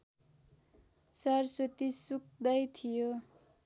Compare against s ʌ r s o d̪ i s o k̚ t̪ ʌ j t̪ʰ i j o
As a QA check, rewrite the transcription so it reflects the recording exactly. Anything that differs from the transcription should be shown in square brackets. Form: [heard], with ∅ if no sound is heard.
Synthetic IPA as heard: s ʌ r s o [t̪] i s [u] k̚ [d̪] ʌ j t̪ʰ i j o

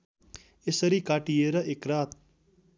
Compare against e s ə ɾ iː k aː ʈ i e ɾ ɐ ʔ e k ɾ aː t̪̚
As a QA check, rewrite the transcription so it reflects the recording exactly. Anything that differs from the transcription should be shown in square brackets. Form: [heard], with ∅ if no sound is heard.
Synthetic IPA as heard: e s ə ɾ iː k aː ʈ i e ɾ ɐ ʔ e k ɾ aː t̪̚

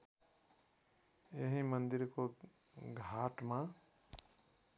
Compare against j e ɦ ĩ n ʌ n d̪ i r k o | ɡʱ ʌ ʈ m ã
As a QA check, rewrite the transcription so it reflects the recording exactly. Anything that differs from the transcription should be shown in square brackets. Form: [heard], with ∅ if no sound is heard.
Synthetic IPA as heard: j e ɦ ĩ [m] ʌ n d̪ i [ɾ] k o | ɡʱ [a] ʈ m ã

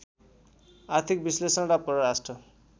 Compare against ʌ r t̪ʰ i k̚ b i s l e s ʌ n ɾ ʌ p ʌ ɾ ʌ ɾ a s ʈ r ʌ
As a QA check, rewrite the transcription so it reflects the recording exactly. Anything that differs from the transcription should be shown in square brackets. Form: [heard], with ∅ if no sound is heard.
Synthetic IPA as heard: [a] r t̪ʰ i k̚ b i s l e s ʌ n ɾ [a] p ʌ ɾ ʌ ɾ a s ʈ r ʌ

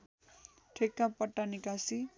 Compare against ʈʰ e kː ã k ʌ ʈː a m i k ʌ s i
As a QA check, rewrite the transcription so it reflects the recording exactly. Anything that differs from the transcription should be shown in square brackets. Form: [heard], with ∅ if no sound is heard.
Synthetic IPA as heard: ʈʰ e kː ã [p] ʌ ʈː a [n] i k [a] s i

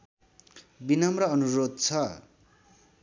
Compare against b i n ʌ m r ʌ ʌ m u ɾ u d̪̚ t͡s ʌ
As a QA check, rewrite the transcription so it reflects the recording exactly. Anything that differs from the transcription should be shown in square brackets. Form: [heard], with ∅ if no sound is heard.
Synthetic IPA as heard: b i n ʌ m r ʌ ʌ [n] u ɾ [o] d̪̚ [t͡sʰ] ʌ

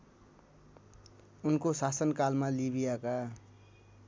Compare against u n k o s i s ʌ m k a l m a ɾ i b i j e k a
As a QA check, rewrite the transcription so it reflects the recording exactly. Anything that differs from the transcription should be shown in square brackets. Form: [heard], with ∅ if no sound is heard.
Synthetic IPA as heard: u n k o s [a] s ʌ [n] k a l m a [l] i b i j [a] k a

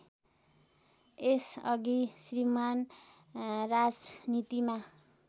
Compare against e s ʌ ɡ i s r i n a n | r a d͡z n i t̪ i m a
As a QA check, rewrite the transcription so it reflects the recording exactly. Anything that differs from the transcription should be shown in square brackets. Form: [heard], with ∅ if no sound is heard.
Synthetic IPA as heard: e s ʌ ɡ i s r i [m] a n | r a d͡z n i t̪ i m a

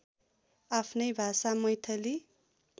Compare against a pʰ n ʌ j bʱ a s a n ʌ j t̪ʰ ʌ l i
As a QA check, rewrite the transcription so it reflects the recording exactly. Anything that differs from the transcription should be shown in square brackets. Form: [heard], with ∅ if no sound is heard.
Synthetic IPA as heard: a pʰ n ʌ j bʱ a s a [m] ʌ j t̪ʰ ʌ l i

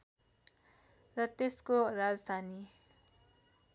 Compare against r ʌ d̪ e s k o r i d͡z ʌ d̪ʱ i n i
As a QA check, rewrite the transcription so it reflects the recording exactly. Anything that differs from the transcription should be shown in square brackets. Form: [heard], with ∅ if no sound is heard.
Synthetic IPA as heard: r ʌ [t̪] e s k o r [a] d͡z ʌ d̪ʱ [a] n i

